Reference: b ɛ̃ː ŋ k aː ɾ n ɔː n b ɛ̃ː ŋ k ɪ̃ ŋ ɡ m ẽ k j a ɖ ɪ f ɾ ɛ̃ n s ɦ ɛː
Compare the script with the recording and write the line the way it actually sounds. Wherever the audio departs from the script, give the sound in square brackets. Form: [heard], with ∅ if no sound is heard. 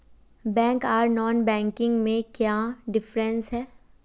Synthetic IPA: b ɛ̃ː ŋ k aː ɾ n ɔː n b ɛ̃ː ŋ k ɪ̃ ŋ ɡ m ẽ k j a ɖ ɪ f ɾ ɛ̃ n s ɦ ɛː